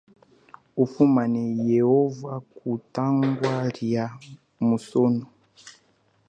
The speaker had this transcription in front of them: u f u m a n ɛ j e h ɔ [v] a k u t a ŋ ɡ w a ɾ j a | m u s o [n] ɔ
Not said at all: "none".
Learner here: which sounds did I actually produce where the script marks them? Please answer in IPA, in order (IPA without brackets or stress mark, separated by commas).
v, n